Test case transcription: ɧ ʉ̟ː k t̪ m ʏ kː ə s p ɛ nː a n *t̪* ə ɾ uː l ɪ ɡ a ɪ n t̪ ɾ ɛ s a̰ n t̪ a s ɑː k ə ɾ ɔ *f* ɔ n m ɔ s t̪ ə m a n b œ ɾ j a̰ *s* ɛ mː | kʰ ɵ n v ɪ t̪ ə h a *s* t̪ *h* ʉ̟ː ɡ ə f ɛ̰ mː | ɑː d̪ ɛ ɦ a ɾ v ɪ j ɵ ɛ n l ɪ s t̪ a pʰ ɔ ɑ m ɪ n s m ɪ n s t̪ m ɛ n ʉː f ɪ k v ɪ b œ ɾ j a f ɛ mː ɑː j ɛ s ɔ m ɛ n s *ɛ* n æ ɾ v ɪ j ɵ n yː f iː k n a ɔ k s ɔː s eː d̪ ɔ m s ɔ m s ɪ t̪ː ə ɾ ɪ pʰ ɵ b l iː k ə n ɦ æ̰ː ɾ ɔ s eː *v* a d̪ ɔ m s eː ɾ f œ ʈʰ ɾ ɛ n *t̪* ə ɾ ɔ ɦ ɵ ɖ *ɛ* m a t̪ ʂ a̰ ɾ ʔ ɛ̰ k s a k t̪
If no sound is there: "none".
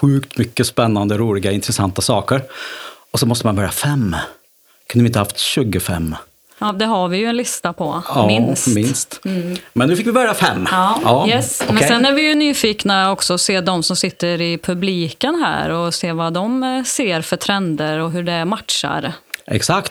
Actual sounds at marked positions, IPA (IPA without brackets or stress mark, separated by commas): d̪, s, f, f, ɕ, ɛ, v, d̪, ɛ